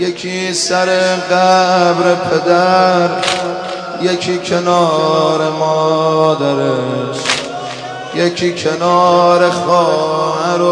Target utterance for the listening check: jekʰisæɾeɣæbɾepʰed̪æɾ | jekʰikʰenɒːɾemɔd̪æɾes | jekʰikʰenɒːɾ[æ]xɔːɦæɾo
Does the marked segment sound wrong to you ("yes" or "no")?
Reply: yes